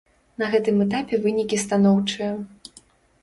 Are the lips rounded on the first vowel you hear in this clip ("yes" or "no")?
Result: no